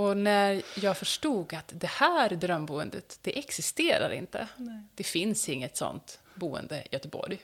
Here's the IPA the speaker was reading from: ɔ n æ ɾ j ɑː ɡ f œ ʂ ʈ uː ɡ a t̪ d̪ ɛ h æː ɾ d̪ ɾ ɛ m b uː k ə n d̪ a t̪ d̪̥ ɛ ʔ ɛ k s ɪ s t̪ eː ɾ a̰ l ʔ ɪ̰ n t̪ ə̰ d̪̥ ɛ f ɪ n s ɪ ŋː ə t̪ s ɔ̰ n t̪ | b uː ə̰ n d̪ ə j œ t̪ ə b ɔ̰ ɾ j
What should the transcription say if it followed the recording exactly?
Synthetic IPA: ɔ n æ ɾ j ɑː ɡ f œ ʂ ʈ uː ɡ a t̪ d̪ ɛ h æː ɾ d̪ ɾ œ m b uː ə n d̪ ə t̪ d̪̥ ɛ ʔ ɛ k s ɪ s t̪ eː ɾ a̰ ɾ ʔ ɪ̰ n t̪ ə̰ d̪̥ ɛ f ɪ n s ɪ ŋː ə t̪ s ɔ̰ n t̪ | b uː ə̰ n d̪ ə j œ t̪ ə b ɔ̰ ɾ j